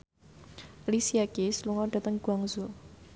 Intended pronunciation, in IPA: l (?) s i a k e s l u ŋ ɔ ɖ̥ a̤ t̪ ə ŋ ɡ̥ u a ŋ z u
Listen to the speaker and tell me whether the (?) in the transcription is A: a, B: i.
B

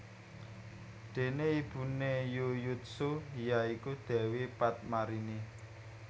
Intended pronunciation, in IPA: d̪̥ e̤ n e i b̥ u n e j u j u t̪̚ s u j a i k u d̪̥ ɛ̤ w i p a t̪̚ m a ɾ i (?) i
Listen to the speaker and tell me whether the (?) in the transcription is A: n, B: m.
A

